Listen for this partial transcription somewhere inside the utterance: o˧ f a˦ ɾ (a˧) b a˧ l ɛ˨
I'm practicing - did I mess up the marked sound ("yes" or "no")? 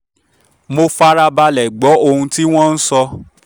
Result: no